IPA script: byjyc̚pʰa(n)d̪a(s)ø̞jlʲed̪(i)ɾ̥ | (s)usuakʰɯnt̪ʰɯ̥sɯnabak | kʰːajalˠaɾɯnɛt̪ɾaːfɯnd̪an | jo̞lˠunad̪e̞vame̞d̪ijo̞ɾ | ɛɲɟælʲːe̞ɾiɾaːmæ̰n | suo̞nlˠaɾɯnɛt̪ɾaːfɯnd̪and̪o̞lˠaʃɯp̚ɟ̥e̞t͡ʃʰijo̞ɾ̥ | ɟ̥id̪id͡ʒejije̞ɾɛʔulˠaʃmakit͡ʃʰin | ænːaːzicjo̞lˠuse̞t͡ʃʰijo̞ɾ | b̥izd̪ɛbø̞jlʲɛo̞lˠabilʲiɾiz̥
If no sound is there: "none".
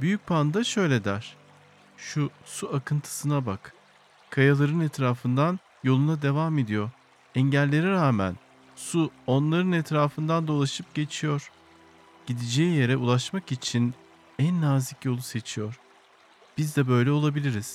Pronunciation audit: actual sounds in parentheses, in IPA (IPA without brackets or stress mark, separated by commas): n, ʃ, æ, ʃ